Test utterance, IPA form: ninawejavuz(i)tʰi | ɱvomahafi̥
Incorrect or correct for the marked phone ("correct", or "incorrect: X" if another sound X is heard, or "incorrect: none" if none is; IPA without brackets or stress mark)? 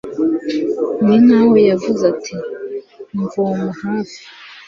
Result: incorrect: a